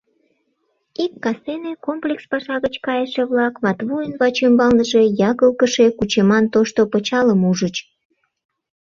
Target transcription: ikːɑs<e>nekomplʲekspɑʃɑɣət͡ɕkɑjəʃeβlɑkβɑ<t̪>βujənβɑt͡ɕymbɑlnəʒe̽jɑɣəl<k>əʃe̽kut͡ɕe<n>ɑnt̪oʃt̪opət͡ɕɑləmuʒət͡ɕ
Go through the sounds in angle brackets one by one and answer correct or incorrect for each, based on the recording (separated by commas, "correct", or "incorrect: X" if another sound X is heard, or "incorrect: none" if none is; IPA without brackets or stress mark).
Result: correct, correct, correct, incorrect: m